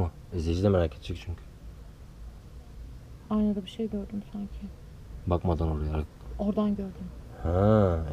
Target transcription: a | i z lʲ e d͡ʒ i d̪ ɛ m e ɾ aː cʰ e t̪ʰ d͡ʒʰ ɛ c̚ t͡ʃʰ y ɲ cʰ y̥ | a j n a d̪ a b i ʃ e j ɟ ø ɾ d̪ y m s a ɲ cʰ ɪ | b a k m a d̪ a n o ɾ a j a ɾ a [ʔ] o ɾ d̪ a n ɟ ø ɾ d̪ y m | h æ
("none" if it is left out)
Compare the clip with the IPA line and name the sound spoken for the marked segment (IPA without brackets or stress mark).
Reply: k